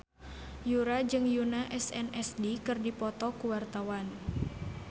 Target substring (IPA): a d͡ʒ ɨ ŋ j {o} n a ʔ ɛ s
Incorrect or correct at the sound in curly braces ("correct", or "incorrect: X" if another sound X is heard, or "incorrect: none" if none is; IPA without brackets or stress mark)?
incorrect: u